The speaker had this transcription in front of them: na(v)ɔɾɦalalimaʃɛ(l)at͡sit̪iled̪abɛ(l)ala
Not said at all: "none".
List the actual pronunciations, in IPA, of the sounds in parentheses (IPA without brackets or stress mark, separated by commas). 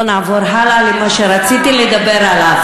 v, ɾ, ɾ